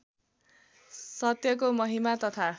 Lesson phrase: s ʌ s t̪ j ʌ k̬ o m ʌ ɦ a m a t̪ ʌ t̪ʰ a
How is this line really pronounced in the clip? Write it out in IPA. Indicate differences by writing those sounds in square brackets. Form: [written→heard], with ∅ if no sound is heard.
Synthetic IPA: s ʌ [s→∅] t̪ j ʌ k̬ o m ʌ ɦ [a→i] m a t̪ ʌ t̪ʰ a